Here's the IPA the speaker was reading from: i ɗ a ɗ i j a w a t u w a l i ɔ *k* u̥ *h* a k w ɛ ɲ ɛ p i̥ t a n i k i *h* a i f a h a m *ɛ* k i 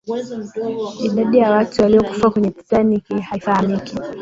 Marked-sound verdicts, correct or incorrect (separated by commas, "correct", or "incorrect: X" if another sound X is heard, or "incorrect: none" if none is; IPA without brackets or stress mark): correct, incorrect: f, correct, incorrect: i